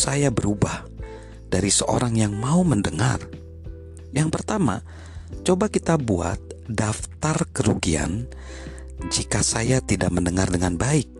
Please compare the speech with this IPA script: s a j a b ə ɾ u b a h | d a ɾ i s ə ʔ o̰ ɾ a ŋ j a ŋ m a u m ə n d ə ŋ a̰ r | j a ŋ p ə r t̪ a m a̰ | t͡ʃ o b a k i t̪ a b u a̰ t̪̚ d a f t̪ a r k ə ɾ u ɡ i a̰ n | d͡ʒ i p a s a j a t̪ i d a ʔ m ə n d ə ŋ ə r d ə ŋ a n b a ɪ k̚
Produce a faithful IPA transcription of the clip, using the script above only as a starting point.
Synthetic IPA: s a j a b ə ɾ u b a h | d a ɾ i s ə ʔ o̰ ɾ a ŋ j a ŋ m a u m ə n d ə ŋ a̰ r | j a ŋ p ə r t̪ a m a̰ | t͡ʃ o b a k i t̪ a b u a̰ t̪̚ d a f t̪ a r k ə ɾ u ɡ i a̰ n | d͡ʒ i k a s a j a t̪ i d a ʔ m ə n d ə ŋ a r d ə ŋ a n b a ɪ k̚